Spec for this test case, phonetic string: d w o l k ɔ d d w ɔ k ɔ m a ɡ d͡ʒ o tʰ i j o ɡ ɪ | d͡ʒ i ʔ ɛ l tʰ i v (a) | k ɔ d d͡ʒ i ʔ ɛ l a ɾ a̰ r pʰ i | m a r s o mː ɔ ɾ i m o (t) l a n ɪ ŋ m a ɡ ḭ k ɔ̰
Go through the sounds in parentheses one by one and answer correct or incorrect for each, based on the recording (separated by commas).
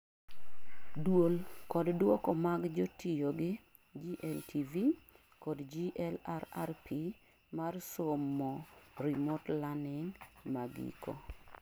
incorrect, correct